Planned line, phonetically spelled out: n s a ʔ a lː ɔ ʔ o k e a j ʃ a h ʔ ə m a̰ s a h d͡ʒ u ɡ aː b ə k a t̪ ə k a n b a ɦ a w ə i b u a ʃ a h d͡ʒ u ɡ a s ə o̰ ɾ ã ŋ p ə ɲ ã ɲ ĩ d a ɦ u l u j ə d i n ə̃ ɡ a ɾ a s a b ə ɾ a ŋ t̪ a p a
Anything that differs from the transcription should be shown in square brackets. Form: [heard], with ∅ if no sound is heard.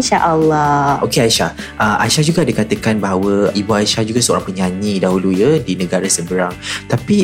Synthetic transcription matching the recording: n [ʃ] a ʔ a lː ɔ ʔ o k e a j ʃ a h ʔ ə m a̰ [ʃ] a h d͡ʒ u ɡ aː [d] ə k a t̪ ə k a n b a ɦ a w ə i b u a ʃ a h d͡ʒ u ɡ a s ə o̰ ɾ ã ŋ p ə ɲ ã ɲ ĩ d a ɦ u l u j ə d i n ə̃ ɡ a ɾ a s [ə] b ə ɾ a ŋ t̪ a p [i]